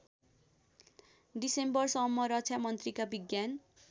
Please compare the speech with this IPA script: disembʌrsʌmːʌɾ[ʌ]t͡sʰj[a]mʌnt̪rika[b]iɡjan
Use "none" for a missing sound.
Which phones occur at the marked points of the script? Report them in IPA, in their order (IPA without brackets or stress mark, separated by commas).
ʌ, a, b